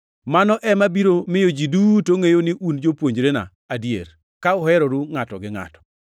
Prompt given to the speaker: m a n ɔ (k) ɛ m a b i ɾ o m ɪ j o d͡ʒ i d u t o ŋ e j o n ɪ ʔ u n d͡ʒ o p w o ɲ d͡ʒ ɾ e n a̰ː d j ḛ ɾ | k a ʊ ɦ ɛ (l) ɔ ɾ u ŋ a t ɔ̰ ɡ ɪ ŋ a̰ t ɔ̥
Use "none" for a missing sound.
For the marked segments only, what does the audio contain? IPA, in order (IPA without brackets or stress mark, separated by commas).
ʔ, ɾ